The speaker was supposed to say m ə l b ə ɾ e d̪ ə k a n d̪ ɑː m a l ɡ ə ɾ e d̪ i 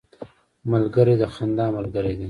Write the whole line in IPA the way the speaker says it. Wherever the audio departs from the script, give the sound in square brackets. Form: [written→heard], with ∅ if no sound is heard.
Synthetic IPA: m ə l [b→ɡ] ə ɾ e d̪ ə [k→x] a n d̪ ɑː m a l ɡ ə ɾ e d̪ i